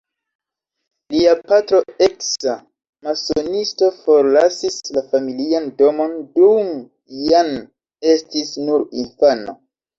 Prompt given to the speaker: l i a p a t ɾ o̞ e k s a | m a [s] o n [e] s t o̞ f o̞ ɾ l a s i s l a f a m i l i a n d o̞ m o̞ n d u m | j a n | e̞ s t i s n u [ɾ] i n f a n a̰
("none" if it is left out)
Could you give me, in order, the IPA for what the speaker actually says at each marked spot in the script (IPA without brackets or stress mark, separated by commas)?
s, i, ɾ